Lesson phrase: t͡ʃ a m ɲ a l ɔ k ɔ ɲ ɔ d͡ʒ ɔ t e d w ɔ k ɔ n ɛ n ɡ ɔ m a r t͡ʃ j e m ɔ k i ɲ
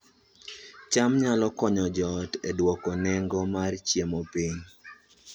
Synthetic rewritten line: t͡ʃ a m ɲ a l ɔ k ɔ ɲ ɔ d͡ʒ ɔ t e d w ɔ k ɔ n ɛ ŋ ɡ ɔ m a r t͡ʃ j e m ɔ p i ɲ